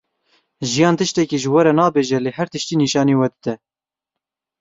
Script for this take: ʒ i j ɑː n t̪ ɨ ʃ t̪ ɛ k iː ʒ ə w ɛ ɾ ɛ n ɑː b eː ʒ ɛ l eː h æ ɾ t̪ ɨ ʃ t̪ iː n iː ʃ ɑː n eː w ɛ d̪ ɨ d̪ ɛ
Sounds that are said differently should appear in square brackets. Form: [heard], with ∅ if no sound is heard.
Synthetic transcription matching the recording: ʒ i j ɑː n t̪ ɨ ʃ t̪ ɛ k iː ʒ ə w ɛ ɾ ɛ n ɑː b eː ʒ ɛ l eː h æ ɾ t̪ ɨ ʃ t̪ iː n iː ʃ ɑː n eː w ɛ d̪ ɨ d̪ ɛ